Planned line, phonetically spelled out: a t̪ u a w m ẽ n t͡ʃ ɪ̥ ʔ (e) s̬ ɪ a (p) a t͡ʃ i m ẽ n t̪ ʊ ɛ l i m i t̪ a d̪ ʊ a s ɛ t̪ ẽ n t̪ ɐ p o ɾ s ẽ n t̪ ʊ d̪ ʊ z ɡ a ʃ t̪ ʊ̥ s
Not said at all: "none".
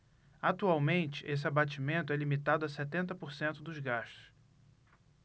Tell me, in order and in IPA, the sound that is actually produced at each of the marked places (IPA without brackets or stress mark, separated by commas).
e, b